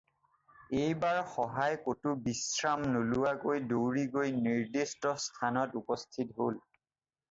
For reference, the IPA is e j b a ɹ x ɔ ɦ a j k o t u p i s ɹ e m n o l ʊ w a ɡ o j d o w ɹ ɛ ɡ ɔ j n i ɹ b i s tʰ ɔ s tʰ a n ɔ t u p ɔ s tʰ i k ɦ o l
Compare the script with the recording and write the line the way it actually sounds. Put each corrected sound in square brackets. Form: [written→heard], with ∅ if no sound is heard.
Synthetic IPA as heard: e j b a ɹ x ɔ ɦ a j k o t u [p→b] i s ɹ [e→a] m n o l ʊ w a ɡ o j d o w ɹ [ɛ→i] ɡ [ɔ→o] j n i ɹ [b→d] i s [tʰ→t] ɔ s tʰ a n ɔ t u p ɔ s tʰ i [k→t] ɦ o l